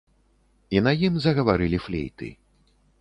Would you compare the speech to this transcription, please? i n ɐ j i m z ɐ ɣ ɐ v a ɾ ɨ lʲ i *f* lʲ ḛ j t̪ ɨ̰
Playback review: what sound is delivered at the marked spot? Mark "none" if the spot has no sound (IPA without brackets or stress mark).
f